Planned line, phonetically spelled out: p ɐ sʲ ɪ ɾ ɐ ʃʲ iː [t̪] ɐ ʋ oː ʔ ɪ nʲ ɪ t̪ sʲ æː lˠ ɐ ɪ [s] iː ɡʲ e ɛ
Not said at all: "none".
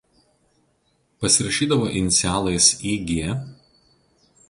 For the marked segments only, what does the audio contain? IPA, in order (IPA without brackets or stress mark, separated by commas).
d̪, s